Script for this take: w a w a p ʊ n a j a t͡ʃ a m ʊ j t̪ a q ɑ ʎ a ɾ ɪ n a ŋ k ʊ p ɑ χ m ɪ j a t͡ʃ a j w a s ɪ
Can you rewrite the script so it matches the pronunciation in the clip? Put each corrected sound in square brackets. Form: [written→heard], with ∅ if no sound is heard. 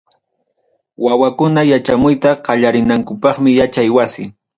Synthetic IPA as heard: w a w a [p→k] ʊ n a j a t͡ʃ a m ʊ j t̪ a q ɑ ʎ a ɾ ɪ n a ŋ k ʊ p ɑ χ m ɪ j a t͡ʃ a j w a s ɪ